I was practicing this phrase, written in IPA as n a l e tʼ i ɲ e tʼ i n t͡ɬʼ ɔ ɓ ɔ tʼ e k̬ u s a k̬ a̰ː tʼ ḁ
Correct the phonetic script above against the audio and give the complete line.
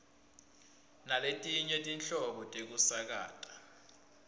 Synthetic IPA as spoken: n a l e tʼ i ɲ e tʼ i n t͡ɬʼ ɔ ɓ ɔ tʼ e k̬ u s a k̬ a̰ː tʼ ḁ